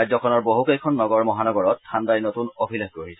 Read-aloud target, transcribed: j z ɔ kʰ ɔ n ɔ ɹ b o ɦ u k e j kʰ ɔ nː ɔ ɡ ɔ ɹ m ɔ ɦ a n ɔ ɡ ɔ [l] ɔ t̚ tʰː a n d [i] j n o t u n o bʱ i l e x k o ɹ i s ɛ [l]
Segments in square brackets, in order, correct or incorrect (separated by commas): incorrect, incorrect, incorrect